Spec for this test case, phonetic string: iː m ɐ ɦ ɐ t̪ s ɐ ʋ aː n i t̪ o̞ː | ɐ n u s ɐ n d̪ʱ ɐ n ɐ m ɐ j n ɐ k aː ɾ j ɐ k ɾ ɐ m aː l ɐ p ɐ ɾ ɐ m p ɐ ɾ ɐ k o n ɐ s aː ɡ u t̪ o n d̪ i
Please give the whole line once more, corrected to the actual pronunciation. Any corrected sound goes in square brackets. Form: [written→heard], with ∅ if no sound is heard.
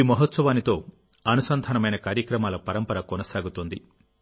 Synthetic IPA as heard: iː m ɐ ɦ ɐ t̪ s ɐ ʋ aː n i t̪ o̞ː | ɐ n u s ɐ n d̪ʱ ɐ n ɐ m ɐ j n ɐ k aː ɾ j ɐ k ɾ ɐ m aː l ɐ p ɐ ɾ ɐ m p ɐ ɾ ɐ k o n ɐ s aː ɡ u t̪ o n d̪ i